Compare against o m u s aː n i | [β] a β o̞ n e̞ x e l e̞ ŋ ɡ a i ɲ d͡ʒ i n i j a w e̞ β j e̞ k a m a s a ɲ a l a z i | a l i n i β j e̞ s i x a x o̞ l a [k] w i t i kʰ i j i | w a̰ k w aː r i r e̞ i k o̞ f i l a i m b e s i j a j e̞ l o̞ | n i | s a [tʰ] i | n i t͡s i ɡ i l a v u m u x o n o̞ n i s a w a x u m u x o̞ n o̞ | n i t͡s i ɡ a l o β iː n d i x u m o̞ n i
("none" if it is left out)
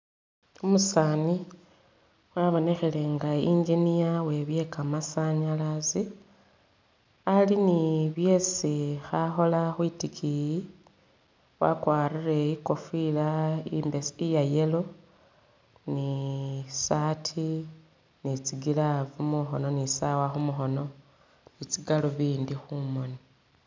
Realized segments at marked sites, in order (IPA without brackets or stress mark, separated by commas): w, x, tʰ